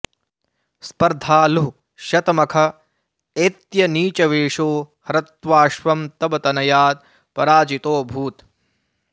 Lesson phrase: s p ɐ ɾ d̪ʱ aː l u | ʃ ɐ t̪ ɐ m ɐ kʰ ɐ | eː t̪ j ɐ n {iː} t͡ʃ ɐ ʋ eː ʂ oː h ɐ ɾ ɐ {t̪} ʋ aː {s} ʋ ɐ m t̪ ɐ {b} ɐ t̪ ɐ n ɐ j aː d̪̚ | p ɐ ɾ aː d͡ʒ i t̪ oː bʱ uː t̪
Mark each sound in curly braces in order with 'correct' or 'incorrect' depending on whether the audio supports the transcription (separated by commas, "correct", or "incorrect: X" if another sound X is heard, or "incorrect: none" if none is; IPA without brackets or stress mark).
correct, correct, incorrect: ʃ, correct